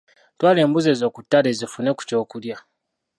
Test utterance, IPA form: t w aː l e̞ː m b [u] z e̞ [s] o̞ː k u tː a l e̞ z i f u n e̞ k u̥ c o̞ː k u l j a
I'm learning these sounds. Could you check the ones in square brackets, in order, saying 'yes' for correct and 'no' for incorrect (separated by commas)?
yes, no